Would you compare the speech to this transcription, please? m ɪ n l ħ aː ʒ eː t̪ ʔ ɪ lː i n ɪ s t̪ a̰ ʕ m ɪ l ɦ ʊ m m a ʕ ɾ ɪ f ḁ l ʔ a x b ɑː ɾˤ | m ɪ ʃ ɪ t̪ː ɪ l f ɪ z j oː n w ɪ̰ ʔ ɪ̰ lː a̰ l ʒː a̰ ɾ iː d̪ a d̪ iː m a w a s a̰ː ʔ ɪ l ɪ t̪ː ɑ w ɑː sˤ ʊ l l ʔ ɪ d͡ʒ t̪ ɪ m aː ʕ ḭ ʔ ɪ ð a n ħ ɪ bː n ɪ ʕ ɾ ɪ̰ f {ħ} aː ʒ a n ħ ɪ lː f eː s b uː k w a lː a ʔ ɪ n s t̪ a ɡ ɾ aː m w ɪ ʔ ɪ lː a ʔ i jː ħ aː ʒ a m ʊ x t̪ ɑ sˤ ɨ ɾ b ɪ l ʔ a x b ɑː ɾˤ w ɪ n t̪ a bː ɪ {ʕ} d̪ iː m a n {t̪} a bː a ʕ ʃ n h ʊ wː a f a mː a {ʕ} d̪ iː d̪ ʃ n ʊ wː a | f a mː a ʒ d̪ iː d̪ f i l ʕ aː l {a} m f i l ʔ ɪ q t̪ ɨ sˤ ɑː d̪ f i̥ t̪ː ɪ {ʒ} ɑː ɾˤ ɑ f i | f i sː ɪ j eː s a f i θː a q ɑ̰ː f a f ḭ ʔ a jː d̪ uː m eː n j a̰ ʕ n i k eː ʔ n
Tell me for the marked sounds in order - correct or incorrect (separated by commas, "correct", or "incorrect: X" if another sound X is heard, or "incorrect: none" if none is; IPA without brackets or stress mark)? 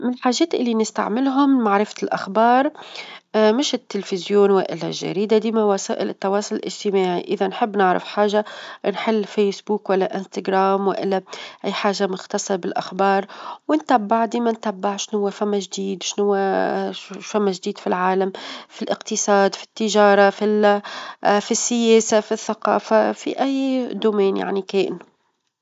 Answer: correct, correct, correct, incorrect: ʒ, correct, correct